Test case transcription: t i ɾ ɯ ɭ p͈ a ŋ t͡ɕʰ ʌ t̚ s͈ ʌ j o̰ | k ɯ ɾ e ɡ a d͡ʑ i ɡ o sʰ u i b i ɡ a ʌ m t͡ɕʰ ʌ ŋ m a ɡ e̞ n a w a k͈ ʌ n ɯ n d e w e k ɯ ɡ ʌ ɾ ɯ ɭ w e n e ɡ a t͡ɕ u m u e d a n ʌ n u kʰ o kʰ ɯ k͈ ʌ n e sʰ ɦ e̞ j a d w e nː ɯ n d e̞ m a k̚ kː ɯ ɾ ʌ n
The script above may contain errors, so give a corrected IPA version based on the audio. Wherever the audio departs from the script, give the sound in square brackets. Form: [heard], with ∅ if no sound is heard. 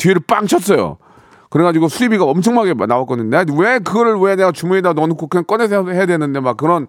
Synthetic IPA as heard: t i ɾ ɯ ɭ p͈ a ŋ t͡ɕʰ ʌ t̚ s͈ ʌ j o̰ | k ɯ ɾ e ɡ a d͡ʑ i ɡ o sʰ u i b i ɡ a ʌ m t͡ɕʰ ʌ ŋ m a ɡ e̞ n a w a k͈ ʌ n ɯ n d e w e k ɯ ɡ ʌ ɾ ɯ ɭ w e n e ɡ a t͡ɕ u m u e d a n ʌ n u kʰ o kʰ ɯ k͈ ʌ n e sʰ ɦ e̞ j a d w e [n] ɯ n d e̞ m a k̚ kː ɯ ɾ ʌ n